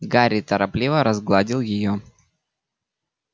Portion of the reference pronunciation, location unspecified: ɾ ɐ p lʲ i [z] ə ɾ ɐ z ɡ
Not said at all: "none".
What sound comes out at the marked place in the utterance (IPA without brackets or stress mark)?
v